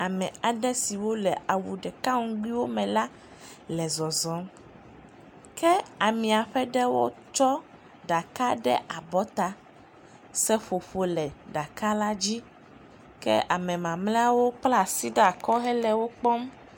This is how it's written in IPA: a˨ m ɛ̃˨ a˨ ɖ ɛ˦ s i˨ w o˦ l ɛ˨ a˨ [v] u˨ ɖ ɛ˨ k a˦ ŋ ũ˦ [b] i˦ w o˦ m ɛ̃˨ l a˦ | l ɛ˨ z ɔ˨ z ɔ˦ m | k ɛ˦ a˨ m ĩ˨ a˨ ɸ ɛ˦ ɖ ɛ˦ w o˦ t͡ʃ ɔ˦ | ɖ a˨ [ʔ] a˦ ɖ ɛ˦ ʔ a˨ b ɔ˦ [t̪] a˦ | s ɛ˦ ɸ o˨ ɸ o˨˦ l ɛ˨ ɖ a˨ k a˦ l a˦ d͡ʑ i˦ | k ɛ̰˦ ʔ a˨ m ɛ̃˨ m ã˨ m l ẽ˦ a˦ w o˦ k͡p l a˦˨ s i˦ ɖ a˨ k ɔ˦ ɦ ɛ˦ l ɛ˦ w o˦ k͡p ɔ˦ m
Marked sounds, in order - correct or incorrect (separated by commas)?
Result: incorrect, incorrect, incorrect, correct